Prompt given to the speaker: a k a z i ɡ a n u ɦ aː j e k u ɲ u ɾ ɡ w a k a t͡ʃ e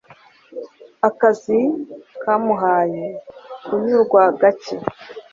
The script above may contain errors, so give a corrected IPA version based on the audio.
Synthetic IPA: a k a z i k a m u ɦ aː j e k u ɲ u ɾ ɡ w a ɡ a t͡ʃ e